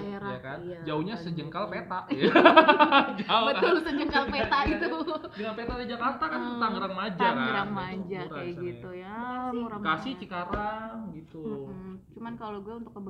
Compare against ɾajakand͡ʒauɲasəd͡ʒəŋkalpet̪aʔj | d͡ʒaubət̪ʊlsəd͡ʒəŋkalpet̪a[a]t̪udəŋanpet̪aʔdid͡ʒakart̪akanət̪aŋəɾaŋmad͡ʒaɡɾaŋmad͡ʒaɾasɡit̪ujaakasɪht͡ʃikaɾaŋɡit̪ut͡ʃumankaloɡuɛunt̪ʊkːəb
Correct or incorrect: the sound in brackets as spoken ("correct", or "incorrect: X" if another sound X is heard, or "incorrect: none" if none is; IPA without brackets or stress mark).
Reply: incorrect: i